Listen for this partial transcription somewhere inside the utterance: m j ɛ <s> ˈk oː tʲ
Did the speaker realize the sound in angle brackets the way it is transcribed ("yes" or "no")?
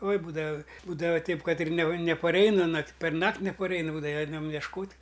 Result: no